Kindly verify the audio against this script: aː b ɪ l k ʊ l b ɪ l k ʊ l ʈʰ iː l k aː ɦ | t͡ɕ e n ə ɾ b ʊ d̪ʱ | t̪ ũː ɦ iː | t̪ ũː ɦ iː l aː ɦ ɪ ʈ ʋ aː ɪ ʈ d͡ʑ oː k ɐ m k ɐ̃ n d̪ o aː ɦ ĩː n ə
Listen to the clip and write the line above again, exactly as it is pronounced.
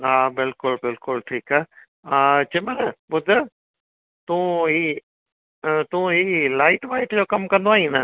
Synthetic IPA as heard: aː b ɪ l k ʊ l b ɪ l k ʊ l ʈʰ iː k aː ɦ | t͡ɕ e m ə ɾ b ʊ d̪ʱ | t̪ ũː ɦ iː | t̪ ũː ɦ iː l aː ɪ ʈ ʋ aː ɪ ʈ d͡ʑ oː k ɐ m k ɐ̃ n d̪ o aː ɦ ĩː n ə